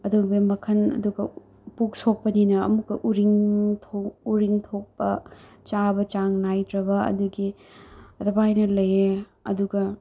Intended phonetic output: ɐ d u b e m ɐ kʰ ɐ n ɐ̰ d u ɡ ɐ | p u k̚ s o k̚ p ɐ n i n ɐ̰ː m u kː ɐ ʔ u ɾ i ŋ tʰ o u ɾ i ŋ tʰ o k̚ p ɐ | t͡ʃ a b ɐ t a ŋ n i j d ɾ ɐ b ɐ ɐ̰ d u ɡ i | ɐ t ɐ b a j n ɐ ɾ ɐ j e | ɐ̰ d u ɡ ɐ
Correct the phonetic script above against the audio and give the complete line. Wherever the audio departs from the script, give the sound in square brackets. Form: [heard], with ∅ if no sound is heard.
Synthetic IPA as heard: ɐ d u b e m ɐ kʰ ɐ n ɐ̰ d u ɡ ɐ | p u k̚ s o k̚ p ɐ n i n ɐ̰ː m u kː ɐ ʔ u ɾ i ŋ tʰ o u ɾ i ŋ tʰ o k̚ p ɐ | t͡ʃ a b ɐ [t͡ʃ] a ŋ n [a] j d ɾ ɐ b ɐ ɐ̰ d u ɡ i | ɐ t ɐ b a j n ɐ [l] ɐ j e | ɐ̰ d u ɡ ɐ